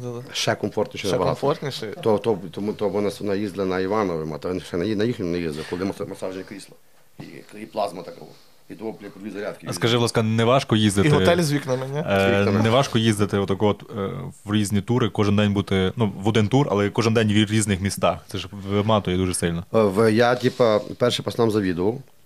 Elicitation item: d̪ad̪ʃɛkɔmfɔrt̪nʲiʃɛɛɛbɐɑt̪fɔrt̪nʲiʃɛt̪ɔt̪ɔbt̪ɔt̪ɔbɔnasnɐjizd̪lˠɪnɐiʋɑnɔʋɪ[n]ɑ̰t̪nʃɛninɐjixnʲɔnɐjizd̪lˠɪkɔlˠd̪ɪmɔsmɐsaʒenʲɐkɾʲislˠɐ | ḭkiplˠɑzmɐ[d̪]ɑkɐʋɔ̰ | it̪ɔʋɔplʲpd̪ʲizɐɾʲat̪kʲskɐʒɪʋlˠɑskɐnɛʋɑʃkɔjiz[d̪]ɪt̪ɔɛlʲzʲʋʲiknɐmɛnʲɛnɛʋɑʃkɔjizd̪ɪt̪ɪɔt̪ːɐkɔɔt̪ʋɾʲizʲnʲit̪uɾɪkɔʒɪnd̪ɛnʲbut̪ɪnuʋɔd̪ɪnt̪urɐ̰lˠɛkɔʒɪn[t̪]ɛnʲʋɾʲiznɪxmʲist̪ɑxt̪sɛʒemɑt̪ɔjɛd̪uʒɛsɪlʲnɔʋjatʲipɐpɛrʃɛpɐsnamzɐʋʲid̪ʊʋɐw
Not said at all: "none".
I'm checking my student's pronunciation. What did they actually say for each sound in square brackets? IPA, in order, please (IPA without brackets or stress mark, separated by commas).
m, t̪, d̪, d̪